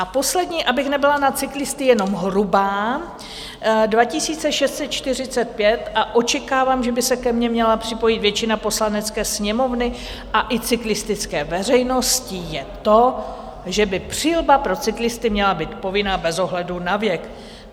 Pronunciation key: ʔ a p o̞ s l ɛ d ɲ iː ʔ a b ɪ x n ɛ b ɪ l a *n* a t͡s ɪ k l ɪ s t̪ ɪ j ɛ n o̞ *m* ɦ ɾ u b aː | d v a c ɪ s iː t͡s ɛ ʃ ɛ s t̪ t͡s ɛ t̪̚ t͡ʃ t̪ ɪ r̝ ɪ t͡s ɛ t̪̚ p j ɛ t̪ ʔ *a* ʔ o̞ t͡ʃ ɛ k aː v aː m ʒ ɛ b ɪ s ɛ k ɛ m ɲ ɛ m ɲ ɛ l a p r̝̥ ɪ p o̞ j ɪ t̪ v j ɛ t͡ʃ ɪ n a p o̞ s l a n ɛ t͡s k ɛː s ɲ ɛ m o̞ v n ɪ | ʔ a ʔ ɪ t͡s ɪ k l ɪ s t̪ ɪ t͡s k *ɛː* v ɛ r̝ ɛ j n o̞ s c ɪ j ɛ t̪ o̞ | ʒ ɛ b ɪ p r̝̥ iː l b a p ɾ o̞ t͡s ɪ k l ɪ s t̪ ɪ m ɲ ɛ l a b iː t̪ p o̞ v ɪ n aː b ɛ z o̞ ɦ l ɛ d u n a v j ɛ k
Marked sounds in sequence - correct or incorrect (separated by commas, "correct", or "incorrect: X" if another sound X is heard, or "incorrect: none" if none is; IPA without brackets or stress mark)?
correct, correct, correct, correct